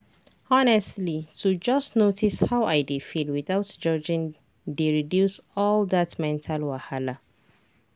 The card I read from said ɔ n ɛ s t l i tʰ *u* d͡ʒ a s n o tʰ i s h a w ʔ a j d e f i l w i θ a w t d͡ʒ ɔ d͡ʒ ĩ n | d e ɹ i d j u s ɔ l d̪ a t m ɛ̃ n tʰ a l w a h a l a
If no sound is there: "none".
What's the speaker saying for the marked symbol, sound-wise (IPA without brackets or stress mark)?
u